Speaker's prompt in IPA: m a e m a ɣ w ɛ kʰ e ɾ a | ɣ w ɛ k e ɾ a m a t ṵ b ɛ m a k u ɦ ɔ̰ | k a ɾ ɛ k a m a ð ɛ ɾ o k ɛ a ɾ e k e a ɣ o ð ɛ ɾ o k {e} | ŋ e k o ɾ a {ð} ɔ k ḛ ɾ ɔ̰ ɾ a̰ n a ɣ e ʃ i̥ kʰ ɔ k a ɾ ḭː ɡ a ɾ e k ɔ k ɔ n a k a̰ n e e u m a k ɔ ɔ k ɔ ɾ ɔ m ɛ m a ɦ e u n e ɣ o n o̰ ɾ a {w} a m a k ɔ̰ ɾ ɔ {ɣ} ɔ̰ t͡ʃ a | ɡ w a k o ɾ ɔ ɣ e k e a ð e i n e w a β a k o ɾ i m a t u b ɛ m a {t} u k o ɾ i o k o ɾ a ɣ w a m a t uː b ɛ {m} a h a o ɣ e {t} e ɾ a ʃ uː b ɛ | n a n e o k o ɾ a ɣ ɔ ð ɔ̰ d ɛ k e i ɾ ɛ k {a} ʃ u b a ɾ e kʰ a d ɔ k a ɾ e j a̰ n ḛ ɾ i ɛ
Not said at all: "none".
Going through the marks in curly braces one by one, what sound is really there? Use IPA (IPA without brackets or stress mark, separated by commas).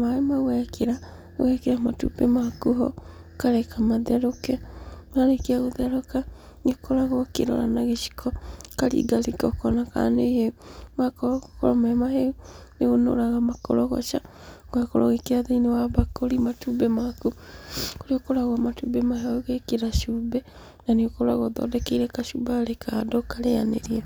a, ɣ, ɣ, ɣ, k, m, k, a